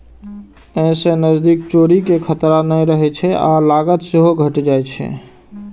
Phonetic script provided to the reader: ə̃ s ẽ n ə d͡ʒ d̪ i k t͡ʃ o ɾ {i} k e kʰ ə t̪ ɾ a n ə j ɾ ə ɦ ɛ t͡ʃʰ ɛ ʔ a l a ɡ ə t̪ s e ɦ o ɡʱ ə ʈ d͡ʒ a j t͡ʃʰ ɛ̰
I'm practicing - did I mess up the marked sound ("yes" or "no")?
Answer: no